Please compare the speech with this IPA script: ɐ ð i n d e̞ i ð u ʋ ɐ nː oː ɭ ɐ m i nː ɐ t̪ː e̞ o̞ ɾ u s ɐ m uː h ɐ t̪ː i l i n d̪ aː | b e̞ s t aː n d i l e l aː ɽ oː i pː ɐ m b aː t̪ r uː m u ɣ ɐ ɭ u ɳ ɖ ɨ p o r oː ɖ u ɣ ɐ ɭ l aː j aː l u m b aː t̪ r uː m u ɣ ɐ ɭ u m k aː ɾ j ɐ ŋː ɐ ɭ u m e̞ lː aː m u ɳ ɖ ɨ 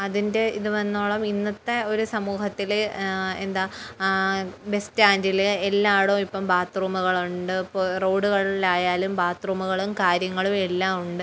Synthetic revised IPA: ɐ ð i n d e̞ i ð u ʋ ɐ nː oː ɭ ɐ m i nː ɐ t̪ː e̞ o̞ ɾ u s ɐ m uː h ɐ t̪ː i l e n d̪ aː | b e̞ s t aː n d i l e lː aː ɽ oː i pː ɐ m b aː t̪ r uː m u ɣ ɐ ɭ u ɳ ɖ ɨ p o r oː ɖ u ɣ ɐ ɭ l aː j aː l u m b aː t̪ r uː m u ɣ ɐ ɭ u m k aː ɾ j ɐ ŋː ɐ ɭ u m e̞ lː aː m u ɳ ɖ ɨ